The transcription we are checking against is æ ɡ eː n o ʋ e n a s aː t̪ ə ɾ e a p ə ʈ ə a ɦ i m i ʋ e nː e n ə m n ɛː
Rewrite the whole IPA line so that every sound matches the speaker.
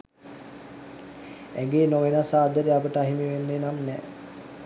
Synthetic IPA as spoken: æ ɡ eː n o ʋ e n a s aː d̪ ə ɾ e a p ə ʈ ə a ɦ i m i ʋ e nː e n a m n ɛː